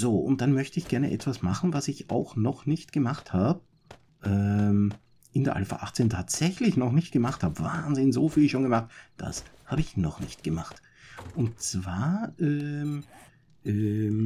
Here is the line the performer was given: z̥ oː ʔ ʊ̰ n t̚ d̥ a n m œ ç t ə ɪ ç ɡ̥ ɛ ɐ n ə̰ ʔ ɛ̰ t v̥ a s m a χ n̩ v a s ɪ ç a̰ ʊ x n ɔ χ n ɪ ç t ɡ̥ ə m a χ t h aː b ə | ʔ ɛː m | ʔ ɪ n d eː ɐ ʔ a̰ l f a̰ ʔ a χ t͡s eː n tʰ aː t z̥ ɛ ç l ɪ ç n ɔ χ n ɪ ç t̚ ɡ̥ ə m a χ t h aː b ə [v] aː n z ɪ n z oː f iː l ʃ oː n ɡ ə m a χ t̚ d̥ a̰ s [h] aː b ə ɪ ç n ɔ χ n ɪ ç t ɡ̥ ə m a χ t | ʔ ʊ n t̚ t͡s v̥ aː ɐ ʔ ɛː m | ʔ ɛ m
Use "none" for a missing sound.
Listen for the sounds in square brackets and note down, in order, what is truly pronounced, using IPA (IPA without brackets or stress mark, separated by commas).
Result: v, h